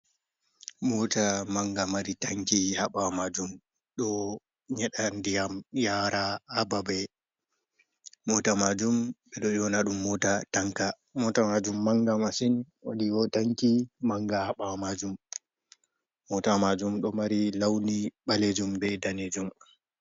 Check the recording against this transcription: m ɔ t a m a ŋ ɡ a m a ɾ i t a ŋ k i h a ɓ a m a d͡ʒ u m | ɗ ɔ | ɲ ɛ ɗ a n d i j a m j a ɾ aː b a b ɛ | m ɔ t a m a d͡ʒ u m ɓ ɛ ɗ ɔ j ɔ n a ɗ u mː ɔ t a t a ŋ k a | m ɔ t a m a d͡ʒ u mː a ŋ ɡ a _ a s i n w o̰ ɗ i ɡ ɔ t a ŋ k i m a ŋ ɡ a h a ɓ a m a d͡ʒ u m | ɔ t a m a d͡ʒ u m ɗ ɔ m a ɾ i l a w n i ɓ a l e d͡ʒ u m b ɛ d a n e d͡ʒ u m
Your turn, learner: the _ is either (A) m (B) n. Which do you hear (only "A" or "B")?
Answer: A